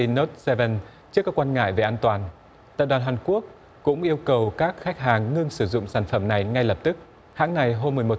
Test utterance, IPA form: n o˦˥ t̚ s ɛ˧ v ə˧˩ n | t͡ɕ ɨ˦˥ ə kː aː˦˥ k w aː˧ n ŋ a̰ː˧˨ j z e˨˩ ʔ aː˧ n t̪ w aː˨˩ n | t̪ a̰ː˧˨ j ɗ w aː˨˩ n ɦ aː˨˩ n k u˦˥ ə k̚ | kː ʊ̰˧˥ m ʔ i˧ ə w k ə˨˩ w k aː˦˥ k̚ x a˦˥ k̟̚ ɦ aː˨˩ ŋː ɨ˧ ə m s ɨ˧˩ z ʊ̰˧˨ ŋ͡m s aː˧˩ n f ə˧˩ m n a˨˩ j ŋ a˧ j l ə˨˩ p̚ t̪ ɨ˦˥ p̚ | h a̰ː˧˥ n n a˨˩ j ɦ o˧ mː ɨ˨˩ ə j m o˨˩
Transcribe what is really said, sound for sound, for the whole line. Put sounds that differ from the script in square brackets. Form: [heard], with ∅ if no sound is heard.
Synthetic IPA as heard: n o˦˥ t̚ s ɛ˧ v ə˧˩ n | t͡ɕ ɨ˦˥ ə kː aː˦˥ k w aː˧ n ŋ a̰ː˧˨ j [v] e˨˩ ʔ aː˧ n t̪ w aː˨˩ n | t̪ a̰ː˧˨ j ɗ w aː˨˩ n ɦ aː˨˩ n k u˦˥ ə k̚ | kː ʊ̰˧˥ [ŋ͡m] ʔ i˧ ə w k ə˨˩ w k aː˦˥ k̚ x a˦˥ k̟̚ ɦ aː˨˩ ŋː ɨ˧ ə [ŋ] s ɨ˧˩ z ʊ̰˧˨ ŋ͡m s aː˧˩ n f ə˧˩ m n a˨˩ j ŋ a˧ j l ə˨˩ p̚ t̪ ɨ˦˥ [k̚] | h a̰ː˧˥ [ŋ] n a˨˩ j ɦ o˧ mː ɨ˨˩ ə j m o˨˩